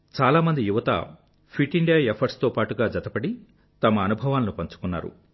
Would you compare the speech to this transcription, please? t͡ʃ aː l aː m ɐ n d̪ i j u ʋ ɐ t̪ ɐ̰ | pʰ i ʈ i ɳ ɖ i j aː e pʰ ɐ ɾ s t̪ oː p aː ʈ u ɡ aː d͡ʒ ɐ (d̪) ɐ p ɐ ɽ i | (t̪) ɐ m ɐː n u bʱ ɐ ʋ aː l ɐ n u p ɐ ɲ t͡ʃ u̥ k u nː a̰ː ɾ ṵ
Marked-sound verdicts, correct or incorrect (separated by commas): incorrect, correct